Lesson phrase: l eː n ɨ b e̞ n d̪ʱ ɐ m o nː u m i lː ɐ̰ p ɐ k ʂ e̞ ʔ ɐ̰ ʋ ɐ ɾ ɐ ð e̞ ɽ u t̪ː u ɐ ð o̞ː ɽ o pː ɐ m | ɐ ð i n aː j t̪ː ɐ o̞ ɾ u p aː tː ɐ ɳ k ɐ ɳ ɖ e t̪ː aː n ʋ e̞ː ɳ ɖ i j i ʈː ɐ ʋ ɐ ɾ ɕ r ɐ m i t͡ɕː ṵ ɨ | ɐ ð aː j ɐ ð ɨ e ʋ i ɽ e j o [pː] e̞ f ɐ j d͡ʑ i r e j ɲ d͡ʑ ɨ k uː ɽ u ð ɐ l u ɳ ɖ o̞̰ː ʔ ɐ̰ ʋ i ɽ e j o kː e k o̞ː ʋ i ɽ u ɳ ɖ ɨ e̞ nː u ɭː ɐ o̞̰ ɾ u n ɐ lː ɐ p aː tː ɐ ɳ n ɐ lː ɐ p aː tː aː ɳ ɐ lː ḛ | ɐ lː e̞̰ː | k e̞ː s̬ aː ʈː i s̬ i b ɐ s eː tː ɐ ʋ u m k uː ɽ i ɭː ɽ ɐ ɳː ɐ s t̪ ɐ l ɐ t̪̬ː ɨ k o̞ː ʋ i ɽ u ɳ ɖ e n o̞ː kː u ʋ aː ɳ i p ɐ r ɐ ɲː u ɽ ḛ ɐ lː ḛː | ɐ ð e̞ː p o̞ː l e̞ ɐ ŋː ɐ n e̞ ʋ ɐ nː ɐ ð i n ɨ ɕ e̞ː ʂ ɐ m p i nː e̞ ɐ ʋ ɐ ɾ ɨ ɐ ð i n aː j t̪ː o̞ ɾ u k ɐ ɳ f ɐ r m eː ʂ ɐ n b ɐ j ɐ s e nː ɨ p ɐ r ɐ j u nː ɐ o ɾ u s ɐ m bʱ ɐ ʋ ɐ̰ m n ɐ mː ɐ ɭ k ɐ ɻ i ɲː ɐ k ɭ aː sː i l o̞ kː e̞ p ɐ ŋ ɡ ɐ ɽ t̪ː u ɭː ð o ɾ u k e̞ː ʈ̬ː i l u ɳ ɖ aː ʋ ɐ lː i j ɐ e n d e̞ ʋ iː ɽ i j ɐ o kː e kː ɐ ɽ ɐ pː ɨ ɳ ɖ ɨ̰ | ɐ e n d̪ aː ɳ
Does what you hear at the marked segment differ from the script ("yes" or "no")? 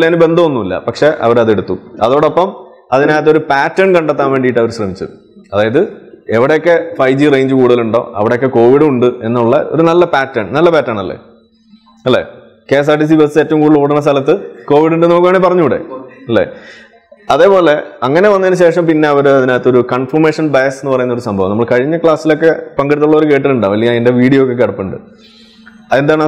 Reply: yes